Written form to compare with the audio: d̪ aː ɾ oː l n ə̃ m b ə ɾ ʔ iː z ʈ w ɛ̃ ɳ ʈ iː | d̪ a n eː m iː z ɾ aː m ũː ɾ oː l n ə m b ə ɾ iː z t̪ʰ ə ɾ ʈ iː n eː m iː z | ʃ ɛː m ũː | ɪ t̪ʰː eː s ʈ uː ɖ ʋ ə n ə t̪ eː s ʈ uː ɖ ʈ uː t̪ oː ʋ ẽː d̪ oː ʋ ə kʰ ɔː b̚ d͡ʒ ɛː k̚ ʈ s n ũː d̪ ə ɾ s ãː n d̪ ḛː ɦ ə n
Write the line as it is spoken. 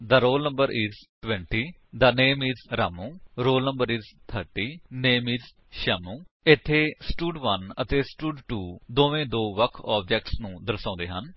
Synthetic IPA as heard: d̪ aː ɾ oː l n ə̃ m b ə ɾ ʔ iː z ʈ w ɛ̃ ɳ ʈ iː | d̪ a n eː m iː z ɾ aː m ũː ɾ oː l n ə m b ə ɾ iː z t̪ʰ ə ɾ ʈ iː n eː m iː z | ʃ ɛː m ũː | ɪ t̪ʰː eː s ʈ uː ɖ ʋ ə n ə t̪ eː s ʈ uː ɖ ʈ uː d̪ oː ʋ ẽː d̪ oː ʋ ə kʰ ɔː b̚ d͡ʒ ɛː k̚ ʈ s n ũː d̪ ə ɾ s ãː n d̪ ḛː ɦ ə n

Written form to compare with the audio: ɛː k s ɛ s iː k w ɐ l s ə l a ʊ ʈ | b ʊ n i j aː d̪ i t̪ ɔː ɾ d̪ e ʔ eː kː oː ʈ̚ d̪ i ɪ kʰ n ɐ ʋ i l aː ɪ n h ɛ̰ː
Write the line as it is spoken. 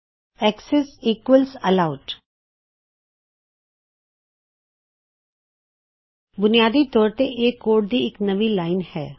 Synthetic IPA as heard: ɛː k s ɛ s iː k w ə l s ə l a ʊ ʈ | b ʊ n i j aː d̪ i t̪ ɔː ɾ t̪ e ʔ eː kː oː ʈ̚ d̪ i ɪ k n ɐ ʋ i l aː ɪ n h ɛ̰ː

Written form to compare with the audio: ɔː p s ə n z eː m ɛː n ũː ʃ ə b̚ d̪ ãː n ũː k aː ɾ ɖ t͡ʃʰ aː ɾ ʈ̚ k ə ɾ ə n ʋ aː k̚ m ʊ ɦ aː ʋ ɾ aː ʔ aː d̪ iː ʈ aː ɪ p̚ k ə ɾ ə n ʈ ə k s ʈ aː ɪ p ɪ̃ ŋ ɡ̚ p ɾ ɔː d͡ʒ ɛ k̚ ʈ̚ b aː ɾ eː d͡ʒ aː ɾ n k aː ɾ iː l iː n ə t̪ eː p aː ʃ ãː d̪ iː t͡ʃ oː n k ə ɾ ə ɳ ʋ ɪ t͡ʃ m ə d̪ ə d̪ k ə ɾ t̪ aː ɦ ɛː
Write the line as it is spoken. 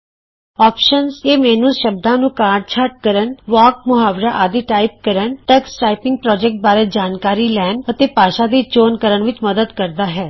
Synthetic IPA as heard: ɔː p ʃ ə n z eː m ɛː n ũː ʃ ə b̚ d̪ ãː n ũː k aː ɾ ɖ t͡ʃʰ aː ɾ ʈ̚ k ə ɾ ə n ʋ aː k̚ m ʊ ɦ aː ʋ ɾ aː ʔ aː d̪ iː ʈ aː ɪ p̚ k ə ɾ ə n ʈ ə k s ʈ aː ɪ p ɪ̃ ŋ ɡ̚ p ɾ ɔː d͡ʒ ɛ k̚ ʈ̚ b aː ɾ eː d͡ʒ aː n k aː ɾ iː l ɛː n ə t̪ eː p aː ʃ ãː d̪ iː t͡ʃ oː n k ə ɾ ə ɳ ʋ ɪ t͡ʃ m ə d̪ ə d̪ k ə ɾ d̪ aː ɦ ɛː

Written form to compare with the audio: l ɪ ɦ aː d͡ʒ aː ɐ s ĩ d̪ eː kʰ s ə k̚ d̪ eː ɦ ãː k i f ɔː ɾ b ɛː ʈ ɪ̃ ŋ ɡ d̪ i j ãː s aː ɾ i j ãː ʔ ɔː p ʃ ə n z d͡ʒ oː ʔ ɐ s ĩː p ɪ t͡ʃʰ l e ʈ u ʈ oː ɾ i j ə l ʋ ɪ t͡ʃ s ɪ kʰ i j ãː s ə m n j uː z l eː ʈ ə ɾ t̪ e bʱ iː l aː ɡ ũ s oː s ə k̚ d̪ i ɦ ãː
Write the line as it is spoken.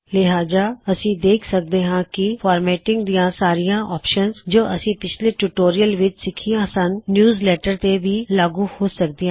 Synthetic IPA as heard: l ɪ ɦ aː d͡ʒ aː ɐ s ĩ d̪ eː kʰ s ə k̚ d̪ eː ɦ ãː k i f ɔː ɾ m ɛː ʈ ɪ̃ ŋ ɡ d̪ i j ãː s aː ɾ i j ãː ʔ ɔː p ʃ ə n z d͡ʒ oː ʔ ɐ s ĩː p ɪ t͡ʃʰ l e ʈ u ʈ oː ɾ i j ə l ʋ ɪ t͡ʃ s ɪ kʰ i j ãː s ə n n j uː z l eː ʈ ə ɾ t̪ e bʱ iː l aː ɡ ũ h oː s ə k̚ d̪ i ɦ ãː

